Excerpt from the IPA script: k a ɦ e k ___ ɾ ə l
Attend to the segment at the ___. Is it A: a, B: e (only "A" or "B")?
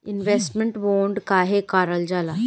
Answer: A